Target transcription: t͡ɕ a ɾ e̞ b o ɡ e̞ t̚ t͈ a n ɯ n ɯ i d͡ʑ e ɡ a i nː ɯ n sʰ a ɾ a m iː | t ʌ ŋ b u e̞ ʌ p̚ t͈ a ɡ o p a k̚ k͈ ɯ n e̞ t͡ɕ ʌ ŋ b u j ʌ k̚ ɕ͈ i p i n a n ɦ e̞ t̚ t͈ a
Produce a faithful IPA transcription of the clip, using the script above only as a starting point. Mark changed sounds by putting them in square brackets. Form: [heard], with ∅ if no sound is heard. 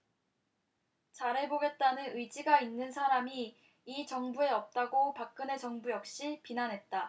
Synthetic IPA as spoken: t͡ɕ a ɾ e̞ b o ɡ e̞ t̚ t͈ a n ɯ n ɯ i d͡ʑ [i] ɡ a i nː ɯ n sʰ a ɾ a m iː | [t͡ɕ] ʌ ŋ b u e̞ ʌ p̚ t͈ a ɡ o p a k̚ k͈ ɯ n e̞ t͡ɕ ʌ ŋ b u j ʌ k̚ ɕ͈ i p i n a n ɦ e̞ t̚ t͈ a